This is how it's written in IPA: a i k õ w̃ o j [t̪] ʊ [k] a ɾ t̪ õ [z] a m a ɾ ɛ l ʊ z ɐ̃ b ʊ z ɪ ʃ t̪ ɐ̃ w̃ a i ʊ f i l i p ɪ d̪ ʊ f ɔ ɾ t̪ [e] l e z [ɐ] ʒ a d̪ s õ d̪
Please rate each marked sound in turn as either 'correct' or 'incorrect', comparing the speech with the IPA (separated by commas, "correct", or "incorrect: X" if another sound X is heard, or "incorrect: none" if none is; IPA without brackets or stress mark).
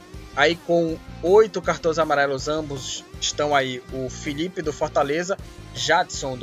correct, correct, correct, incorrect: a, correct